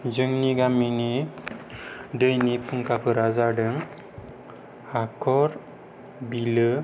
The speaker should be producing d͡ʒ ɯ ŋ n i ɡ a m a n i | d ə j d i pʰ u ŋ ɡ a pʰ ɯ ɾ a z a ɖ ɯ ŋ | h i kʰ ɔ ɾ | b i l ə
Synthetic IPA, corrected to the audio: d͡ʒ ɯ ŋ n i ɡ a m i n i | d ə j n i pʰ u ŋ k a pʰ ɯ ɾ a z a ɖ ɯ ŋ | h a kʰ ɔ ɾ | b i l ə